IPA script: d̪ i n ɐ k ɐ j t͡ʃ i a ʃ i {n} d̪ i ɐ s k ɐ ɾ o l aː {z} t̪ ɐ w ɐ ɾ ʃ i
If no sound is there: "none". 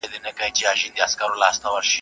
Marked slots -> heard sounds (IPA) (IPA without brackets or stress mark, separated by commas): n, s